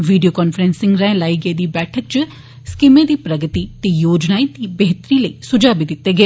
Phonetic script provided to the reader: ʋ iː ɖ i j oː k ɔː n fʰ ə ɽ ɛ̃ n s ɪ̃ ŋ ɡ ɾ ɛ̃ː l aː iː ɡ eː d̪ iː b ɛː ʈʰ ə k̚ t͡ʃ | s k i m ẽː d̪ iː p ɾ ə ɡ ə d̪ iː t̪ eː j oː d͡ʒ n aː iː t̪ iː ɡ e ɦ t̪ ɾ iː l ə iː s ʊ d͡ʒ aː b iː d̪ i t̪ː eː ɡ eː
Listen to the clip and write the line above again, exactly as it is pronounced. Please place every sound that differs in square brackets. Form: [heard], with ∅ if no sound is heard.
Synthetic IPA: ʋ iː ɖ i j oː k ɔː n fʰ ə [ɾ] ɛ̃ n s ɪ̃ ŋ ɡ ɾ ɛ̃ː l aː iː ɡ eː d̪ iː b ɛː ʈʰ ə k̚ t͡ʃ | s k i m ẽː d̪ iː p ɾ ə ɡ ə [t̪] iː t̪ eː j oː d͡ʒ n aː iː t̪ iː [b] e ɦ t̪ ɾ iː l ə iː s ʊ d͡ʒ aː b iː d̪ [ɪ] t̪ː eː ɡ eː